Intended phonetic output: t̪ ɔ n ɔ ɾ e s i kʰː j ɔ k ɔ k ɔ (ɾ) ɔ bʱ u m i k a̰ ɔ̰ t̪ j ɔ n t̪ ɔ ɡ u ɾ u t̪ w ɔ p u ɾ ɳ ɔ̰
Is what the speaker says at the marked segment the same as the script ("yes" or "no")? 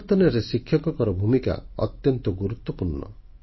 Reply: yes